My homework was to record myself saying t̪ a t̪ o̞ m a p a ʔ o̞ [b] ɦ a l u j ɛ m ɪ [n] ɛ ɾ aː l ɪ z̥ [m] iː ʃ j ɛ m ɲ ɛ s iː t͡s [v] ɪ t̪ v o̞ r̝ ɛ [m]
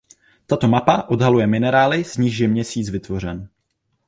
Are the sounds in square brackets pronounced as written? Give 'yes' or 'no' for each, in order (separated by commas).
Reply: no, yes, no, yes, no